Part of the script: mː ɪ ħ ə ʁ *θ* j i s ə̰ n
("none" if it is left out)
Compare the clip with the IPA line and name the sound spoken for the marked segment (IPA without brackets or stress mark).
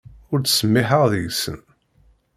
ð